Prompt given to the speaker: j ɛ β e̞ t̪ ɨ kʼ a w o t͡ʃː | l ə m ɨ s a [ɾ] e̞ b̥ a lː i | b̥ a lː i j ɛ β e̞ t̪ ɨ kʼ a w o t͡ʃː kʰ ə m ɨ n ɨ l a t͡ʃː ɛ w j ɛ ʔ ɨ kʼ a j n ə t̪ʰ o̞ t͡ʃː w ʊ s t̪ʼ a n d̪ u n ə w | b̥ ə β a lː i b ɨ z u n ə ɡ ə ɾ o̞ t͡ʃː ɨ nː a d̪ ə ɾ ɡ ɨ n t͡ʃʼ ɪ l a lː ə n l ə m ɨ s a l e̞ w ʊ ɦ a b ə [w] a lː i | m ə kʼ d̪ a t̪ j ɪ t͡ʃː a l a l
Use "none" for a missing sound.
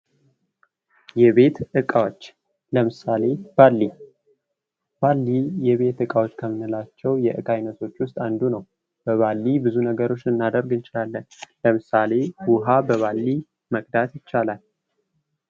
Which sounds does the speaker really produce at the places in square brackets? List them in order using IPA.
l, β

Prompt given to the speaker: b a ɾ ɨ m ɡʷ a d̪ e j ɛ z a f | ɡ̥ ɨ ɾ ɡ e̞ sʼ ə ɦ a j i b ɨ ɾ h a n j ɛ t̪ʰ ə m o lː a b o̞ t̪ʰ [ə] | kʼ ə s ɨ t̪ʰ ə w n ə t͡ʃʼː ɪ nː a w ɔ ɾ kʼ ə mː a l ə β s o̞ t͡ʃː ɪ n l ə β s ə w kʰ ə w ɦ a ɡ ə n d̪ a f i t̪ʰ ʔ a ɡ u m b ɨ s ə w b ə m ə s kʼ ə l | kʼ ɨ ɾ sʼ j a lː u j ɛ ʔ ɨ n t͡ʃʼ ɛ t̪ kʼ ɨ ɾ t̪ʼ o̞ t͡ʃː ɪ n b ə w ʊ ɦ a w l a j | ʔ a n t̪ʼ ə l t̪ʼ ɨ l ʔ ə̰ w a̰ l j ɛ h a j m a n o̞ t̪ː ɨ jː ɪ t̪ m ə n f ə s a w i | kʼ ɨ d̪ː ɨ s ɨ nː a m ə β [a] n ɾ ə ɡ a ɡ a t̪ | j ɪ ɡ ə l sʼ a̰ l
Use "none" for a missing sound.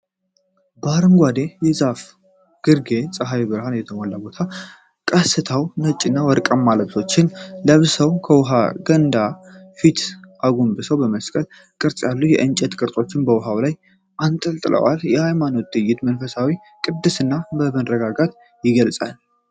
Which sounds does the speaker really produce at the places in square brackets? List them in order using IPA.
a, ə

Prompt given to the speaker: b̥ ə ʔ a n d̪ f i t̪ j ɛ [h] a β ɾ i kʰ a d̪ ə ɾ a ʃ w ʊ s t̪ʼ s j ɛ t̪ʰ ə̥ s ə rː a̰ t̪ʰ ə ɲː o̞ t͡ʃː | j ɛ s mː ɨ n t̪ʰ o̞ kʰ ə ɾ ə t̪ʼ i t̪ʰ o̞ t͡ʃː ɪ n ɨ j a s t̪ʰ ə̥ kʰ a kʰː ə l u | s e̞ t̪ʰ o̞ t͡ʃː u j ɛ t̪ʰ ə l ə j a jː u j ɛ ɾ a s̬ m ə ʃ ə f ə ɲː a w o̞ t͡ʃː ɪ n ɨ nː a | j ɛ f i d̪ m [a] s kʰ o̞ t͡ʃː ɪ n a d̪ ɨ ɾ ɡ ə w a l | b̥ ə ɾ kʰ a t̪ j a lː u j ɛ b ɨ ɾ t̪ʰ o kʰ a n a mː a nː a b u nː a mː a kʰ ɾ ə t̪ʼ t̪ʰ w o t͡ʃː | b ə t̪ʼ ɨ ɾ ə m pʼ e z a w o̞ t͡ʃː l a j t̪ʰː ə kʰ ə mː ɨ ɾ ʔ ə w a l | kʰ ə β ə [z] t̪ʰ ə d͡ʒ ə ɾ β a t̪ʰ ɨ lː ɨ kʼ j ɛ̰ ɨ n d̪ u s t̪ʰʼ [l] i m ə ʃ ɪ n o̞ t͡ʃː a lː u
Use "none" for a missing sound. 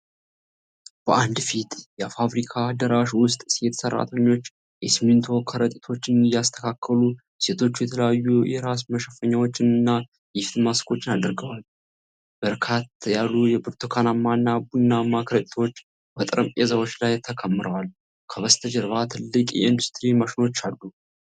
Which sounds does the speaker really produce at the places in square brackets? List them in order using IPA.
f, a, s, ɾ

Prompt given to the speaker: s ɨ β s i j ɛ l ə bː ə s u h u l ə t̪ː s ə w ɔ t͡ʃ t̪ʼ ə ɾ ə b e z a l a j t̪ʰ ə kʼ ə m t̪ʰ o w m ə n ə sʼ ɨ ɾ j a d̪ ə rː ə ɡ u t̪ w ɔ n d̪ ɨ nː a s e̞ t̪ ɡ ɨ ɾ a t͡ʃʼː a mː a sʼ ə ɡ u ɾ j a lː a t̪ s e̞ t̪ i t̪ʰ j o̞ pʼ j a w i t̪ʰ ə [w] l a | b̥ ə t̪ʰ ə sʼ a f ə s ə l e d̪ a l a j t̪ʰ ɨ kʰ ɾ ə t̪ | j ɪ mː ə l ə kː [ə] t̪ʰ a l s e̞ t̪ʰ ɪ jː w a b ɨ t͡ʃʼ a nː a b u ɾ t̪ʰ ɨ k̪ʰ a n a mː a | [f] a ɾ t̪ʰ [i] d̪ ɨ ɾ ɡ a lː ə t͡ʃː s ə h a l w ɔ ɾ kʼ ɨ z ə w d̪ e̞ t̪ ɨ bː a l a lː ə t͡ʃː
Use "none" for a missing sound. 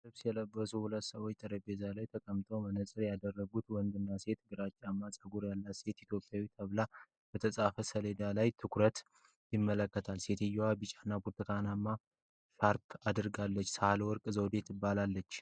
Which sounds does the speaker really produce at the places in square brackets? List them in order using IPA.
β, ə, ʃ, a

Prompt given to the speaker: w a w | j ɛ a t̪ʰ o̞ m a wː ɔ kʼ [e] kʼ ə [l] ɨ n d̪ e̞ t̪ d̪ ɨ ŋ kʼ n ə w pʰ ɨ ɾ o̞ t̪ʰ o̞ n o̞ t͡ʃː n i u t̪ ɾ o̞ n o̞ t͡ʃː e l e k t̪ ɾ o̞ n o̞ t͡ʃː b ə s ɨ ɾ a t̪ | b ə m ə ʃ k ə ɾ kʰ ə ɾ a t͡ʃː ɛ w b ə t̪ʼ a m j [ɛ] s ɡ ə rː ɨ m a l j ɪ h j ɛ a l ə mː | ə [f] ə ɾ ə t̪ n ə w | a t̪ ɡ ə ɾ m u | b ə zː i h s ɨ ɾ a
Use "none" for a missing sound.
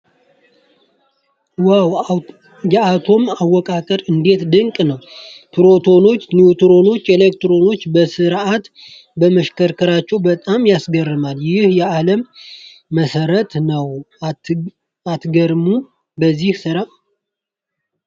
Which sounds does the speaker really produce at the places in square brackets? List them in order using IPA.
a, ɾ, a, s

